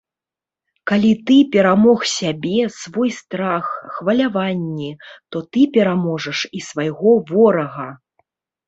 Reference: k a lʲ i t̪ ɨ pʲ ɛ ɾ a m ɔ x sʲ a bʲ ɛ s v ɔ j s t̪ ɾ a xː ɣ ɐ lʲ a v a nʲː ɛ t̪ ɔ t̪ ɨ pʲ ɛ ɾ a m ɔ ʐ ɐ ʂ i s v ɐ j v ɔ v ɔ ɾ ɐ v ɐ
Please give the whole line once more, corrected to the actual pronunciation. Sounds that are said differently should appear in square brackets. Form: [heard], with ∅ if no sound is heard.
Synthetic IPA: k a lʲ i t̪ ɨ pʲ ɛ ɾ a m ɔ x sʲ a bʲ ɛ s v ɔ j s t̪ ɾ a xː [v] ɐ lʲ a v a nʲː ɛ t̪ ɔ t̪ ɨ pʲ ɛ ɾ a m ɔ ʐ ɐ ʂ i s v [a] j [ɣ] ɔ v ɔ ɾ ɐ [ɣ] ɐ